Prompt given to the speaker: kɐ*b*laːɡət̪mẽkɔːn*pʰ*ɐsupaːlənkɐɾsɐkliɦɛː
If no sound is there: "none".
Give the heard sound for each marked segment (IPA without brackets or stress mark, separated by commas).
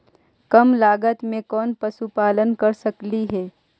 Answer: m, p